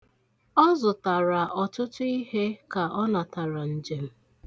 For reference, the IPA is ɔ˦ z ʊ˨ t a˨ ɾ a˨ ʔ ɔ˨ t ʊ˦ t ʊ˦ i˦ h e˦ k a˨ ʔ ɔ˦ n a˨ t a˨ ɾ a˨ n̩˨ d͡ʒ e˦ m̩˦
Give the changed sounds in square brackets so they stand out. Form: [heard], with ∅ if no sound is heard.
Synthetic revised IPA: ɔ˦ z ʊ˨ t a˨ ɾ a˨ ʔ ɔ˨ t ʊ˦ t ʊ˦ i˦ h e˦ k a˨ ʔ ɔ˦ n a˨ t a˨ ɾ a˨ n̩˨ d͡ʒ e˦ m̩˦